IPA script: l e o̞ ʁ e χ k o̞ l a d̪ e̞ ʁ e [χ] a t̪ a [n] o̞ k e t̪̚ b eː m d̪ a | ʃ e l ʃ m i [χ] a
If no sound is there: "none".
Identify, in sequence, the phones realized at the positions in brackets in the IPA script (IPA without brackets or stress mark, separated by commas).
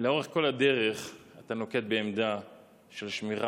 χ, n, ʁ